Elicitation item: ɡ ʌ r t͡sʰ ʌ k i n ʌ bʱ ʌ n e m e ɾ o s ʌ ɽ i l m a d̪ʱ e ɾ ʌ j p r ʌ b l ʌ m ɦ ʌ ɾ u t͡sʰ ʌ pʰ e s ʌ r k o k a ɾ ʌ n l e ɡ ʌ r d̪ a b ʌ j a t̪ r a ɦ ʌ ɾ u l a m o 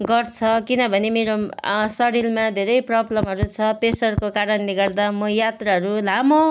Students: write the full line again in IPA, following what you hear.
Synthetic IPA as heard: ɡ ʌ r t͡sʰ ʌ k i n ʌ bʱ ʌ n e m e ɾ o s ʌ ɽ i l m a d̪ʱ e ɾ ʌ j p r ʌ b l ʌ m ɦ ʌ ɾ u t͡sʰ ʌ p e s ʌ r k o k a ɾ ʌ n l e ɡ ʌ r d̪ a m ʌ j a t̪ r a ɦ ʌ ɾ u l a m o